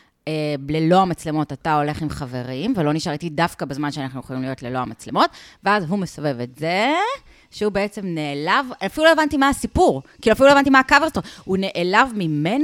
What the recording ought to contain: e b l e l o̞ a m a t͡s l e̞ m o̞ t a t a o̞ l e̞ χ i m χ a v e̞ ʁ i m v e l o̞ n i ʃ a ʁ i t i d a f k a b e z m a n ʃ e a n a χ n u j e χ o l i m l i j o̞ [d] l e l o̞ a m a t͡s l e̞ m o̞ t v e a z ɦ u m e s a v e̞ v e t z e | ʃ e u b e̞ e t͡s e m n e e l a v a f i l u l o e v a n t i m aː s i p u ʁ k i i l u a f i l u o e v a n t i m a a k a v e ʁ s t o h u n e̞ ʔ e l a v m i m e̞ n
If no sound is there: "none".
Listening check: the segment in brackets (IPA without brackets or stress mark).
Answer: t